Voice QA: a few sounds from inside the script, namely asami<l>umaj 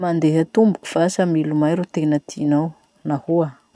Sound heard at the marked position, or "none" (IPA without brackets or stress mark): l